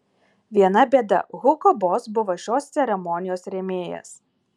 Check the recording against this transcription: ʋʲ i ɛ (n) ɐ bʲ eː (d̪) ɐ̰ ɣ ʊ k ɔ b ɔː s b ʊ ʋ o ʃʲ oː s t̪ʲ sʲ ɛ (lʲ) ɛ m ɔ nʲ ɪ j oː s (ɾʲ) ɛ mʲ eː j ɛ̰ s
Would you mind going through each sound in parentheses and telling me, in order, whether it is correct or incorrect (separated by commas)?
correct, correct, incorrect, correct